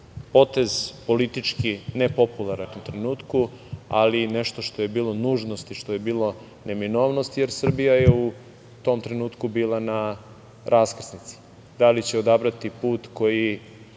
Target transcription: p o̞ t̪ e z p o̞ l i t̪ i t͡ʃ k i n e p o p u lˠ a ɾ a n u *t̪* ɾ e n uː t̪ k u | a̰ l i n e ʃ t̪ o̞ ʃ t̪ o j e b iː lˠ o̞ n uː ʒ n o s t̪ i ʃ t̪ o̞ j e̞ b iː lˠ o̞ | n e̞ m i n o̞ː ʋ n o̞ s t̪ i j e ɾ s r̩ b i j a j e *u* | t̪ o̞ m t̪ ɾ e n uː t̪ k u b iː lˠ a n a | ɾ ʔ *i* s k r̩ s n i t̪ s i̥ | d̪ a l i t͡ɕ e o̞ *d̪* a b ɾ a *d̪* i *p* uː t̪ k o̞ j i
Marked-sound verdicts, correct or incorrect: correct, correct, incorrect: a, correct, incorrect: t̪, correct

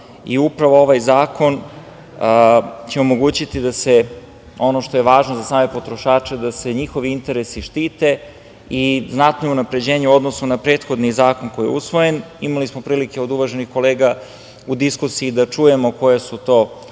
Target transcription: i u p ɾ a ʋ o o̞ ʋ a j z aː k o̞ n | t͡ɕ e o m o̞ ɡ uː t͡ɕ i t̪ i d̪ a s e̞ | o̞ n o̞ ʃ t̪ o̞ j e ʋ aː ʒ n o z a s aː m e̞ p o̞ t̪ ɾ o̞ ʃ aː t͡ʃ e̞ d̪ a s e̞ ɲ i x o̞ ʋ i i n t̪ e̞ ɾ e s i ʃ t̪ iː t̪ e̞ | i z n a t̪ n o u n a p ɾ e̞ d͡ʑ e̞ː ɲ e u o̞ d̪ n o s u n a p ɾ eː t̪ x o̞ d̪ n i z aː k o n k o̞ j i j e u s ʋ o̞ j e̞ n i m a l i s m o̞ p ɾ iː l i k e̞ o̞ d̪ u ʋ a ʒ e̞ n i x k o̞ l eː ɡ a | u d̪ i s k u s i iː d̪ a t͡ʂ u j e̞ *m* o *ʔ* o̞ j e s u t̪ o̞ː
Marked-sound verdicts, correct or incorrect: correct, incorrect: k

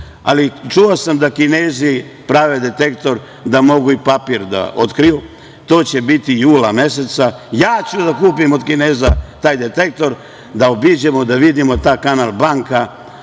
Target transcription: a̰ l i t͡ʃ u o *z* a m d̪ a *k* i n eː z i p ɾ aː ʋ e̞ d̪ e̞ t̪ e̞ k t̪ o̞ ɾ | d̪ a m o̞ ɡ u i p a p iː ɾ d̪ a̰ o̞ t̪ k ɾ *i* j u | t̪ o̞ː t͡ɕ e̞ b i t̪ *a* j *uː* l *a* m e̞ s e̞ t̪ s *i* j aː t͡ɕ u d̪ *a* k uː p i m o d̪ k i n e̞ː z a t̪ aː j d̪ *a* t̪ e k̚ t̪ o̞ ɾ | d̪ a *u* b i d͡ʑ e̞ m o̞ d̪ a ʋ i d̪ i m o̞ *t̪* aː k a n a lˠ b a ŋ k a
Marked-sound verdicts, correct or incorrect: incorrect: s, correct, correct, incorrect: i, correct, correct, incorrect: a, correct, incorrect: e, incorrect: o, correct

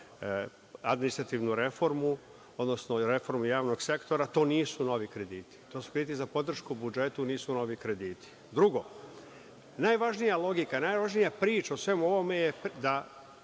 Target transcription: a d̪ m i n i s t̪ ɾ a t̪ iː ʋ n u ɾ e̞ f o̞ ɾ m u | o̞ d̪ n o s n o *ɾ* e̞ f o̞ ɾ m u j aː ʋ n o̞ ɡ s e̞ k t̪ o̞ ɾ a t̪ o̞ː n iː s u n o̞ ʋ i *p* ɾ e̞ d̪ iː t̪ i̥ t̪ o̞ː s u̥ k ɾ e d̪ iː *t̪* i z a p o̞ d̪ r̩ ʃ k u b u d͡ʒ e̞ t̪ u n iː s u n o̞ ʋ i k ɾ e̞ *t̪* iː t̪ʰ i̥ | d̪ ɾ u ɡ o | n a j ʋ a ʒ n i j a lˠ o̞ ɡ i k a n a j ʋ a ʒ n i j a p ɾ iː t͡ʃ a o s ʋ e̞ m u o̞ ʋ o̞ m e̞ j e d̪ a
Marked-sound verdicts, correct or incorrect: correct, incorrect: k, correct, incorrect: d̪

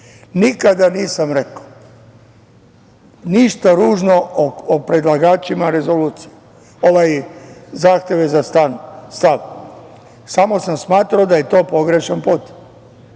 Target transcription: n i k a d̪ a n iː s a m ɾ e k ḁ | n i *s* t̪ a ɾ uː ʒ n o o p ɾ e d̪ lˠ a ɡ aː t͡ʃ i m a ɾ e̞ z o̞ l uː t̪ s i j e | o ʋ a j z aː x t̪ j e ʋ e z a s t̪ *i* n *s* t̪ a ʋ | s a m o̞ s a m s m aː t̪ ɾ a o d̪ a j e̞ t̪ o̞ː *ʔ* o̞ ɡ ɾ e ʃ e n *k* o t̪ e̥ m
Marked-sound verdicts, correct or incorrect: incorrect: ʃ, incorrect: a, correct, incorrect: p, incorrect: p

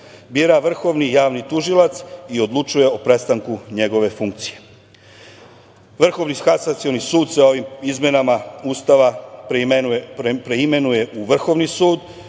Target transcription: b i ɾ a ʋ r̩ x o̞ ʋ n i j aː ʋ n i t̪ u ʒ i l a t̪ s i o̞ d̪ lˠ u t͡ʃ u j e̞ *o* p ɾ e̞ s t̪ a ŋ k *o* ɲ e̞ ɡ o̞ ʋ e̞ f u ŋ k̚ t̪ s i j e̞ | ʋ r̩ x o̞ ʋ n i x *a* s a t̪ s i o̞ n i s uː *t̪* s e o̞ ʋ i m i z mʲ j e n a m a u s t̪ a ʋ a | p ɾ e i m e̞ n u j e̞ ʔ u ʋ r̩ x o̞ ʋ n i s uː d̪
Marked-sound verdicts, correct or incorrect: correct, incorrect: u, correct, incorrect: d̪

